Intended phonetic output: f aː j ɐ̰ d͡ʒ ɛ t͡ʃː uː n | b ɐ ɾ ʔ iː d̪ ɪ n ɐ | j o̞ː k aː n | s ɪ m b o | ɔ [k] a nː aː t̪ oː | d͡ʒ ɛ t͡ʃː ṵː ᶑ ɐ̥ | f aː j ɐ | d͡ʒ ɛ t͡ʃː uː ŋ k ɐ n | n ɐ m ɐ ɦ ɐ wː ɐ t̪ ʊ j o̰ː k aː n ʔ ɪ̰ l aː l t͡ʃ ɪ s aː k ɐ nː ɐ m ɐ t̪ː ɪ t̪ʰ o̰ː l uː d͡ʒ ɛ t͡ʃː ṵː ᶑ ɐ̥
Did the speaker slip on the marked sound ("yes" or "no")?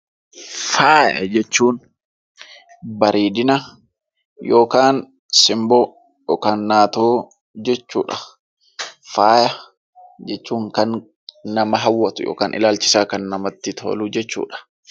no